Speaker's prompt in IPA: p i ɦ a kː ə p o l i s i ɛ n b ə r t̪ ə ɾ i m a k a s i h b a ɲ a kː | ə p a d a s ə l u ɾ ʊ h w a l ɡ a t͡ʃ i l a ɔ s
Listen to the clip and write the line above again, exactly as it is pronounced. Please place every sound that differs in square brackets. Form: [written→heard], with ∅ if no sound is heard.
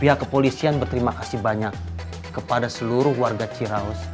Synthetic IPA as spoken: p i ɦ a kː ə p o l i s i [ɛ→a] n b ə r t̪ ə ɾ i m a k a s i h b a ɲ a kː | ə p a d a s ə l u ɾ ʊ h w a [l→r] ɡ a t͡ʃ i [l→ɾ] a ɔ s